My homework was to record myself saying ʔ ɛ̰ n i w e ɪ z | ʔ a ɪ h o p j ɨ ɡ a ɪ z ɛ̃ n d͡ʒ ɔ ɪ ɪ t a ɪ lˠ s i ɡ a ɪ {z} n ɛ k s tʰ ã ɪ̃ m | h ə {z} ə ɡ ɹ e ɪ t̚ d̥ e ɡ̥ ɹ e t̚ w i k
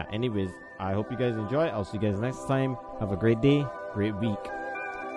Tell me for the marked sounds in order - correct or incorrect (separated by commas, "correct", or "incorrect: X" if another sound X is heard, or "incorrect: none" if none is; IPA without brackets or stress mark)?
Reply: correct, incorrect: v